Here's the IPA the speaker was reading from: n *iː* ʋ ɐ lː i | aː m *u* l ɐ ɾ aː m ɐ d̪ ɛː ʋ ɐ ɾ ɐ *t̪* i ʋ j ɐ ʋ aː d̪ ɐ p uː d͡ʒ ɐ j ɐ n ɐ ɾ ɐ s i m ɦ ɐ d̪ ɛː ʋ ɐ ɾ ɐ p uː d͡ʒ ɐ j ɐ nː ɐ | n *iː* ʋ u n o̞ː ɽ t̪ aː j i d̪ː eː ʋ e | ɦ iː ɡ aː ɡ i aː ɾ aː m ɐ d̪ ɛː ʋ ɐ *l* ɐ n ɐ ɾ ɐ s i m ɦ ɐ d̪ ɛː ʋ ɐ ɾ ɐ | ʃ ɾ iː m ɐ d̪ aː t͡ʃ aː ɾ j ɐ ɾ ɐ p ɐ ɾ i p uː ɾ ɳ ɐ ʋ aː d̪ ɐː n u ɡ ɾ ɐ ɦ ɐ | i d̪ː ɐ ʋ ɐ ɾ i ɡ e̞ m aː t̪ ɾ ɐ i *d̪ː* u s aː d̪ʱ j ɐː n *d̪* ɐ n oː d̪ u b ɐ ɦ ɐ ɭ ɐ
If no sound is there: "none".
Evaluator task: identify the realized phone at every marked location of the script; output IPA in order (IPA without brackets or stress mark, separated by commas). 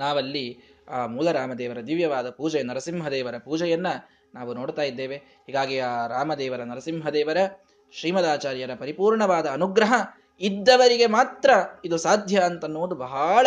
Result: aː, uː, d̪, aː, ɾ, d̪, t̪